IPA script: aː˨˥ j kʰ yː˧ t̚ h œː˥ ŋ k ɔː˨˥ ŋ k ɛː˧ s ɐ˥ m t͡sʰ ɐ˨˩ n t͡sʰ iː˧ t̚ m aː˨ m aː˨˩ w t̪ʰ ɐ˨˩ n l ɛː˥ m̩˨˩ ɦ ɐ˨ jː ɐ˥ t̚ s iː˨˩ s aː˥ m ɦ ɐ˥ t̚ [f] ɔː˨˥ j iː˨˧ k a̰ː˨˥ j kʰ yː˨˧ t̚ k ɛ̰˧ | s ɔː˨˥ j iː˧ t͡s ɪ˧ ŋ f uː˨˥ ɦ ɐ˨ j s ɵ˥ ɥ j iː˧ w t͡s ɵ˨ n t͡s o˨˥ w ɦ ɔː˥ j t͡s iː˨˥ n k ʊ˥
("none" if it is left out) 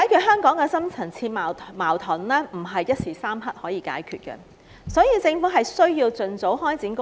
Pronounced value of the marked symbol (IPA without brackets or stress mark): h